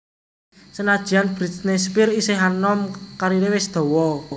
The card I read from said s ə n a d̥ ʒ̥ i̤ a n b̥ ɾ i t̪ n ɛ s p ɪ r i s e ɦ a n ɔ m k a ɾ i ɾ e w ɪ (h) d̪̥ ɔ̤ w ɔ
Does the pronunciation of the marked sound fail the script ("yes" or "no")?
yes